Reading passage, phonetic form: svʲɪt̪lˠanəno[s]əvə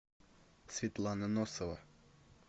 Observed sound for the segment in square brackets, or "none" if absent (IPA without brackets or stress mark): s